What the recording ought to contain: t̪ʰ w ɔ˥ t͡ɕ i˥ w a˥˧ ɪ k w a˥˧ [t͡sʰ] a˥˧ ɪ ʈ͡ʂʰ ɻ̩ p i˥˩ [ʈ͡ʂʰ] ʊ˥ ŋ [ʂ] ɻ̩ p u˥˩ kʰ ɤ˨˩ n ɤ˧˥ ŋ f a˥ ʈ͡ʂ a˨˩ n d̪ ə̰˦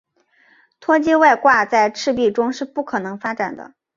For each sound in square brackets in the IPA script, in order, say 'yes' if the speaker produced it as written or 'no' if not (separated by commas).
no, no, yes